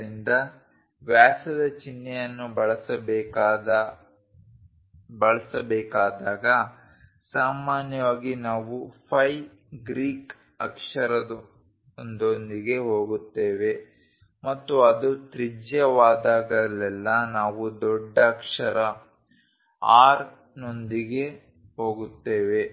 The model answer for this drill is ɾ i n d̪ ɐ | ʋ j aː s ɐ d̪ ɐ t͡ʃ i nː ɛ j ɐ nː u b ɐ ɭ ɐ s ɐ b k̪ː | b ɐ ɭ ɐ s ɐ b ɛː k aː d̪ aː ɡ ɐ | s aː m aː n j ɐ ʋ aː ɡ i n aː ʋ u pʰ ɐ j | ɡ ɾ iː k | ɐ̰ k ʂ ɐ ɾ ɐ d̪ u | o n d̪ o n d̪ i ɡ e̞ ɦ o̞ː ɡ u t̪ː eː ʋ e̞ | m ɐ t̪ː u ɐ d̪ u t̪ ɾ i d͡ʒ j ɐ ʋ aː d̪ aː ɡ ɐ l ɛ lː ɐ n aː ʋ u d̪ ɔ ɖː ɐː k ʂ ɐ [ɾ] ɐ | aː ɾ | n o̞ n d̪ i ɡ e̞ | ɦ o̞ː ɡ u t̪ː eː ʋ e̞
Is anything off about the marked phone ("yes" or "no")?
no